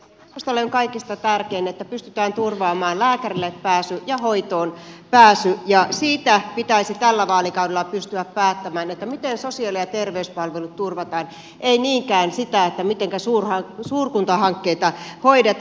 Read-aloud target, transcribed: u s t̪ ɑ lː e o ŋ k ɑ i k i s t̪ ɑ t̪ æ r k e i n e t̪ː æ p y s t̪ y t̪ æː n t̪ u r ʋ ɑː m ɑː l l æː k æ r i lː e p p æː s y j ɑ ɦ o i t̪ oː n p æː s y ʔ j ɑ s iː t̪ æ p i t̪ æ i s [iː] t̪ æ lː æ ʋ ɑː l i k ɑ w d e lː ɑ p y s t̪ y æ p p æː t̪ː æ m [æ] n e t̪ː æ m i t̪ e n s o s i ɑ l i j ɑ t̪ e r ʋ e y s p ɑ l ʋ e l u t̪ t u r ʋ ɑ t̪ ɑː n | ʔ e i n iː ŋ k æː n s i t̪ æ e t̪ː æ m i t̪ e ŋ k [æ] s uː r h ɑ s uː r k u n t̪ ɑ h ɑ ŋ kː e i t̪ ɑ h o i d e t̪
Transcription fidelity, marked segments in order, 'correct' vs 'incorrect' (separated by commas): incorrect, incorrect, correct